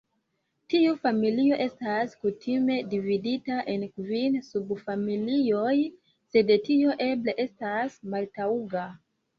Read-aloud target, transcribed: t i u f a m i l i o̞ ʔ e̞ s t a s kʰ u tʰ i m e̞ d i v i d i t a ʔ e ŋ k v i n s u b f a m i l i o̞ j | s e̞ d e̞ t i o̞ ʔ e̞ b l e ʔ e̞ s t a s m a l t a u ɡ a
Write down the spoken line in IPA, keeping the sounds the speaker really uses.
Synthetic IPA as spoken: t i u f a m i l i o̞ ʔ e̞ s t a s k u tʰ i m e̞ d i v i d i t a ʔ e n k v i n s u b f a m i l i o̞ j | s e̞ d e̞ t i o̞ ʔ e̞ b l e ʔ e̞ s t a s m a l t a u ɡ a